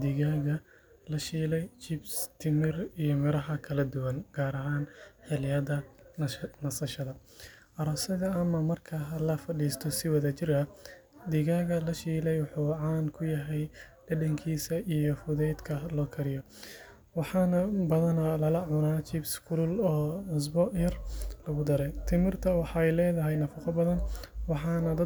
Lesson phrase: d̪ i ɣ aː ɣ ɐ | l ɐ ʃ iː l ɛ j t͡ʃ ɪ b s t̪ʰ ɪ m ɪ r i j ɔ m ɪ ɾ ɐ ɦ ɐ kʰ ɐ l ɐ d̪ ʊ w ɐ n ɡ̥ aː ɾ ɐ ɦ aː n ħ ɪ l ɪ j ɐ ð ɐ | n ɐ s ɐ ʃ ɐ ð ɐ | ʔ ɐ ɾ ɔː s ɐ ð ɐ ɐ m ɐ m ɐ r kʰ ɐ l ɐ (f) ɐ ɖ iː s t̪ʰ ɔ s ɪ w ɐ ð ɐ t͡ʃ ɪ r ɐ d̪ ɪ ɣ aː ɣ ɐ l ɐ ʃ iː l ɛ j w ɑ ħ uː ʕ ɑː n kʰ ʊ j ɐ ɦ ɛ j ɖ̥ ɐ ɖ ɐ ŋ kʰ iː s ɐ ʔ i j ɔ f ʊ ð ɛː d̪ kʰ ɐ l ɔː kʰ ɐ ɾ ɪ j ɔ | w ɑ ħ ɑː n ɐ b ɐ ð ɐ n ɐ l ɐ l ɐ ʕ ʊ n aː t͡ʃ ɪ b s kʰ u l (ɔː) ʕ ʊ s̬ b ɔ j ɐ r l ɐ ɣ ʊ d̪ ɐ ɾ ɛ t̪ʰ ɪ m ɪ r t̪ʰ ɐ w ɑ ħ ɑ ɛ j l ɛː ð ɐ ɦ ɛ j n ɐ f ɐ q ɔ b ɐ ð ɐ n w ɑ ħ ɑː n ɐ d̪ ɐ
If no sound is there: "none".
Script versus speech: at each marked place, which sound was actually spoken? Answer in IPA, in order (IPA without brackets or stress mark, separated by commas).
f, ɔː